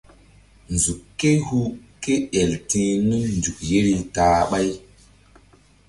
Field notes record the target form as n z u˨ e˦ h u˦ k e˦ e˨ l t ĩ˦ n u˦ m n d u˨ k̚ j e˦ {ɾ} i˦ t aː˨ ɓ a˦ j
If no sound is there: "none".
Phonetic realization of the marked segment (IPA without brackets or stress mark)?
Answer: ɾ